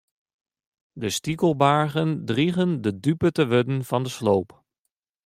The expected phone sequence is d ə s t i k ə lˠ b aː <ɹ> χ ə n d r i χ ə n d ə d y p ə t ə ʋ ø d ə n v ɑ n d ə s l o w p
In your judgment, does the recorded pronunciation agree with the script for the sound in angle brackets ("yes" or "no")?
yes